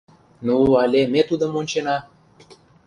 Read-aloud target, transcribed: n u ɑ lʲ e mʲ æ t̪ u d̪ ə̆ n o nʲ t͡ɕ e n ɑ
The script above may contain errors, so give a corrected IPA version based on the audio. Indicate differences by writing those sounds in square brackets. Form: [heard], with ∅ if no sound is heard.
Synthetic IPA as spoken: n u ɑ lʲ e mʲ [e] t̪ u d̪ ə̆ [m] o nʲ t͡ɕ e n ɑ